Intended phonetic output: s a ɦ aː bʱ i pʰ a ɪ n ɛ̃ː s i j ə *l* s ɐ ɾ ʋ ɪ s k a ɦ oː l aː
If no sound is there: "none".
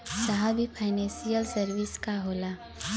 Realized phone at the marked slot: l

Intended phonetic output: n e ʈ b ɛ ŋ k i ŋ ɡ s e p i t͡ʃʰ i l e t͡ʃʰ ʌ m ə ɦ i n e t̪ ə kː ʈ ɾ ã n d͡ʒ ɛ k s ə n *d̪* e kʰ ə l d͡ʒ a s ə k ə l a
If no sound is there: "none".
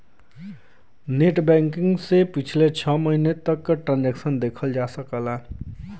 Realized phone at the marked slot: d̪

